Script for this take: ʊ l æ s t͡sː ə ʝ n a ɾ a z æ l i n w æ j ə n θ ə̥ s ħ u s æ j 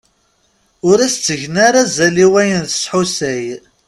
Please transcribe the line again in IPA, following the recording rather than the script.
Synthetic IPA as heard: ʊ ɾ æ s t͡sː ə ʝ n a ɾ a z æ l i w æ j ə n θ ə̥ s ħ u s æ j